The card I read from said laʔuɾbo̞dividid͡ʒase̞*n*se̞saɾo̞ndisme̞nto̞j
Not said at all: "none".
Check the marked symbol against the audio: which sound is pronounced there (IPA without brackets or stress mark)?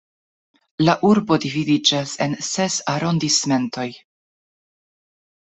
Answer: n